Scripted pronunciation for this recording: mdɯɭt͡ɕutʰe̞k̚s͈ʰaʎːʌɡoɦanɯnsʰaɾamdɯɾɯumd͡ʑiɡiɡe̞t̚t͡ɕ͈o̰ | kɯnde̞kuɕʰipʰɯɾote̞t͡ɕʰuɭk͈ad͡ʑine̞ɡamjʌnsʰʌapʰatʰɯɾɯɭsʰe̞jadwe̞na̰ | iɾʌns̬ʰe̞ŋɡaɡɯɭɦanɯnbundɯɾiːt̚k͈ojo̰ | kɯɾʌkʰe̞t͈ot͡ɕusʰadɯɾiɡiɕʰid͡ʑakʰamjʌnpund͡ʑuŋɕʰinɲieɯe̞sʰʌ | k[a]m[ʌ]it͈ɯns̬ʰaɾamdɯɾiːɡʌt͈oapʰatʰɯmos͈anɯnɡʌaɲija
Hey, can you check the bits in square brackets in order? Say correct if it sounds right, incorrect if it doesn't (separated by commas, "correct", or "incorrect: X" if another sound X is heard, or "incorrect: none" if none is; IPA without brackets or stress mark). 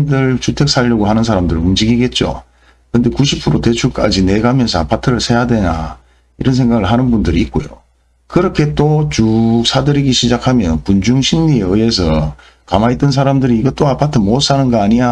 correct, incorrect: a